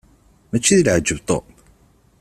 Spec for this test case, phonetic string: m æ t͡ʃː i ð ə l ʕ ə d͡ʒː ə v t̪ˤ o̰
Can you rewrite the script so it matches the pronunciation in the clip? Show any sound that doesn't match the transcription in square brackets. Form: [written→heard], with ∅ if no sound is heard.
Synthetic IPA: m æ t͡ʃː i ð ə l ʕ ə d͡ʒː ə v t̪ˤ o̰